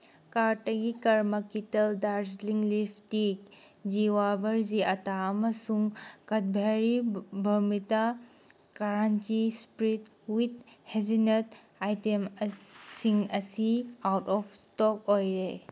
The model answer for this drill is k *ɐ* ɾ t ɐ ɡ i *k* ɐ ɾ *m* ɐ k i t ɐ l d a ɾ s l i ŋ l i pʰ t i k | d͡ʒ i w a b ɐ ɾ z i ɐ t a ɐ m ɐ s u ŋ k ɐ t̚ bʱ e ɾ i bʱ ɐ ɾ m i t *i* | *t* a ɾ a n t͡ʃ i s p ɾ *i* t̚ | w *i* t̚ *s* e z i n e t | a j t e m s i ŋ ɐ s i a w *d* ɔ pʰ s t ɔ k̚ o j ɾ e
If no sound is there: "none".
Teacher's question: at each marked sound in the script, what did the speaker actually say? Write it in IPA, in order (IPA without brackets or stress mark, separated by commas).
a, k, m, a, k, i, i, h, t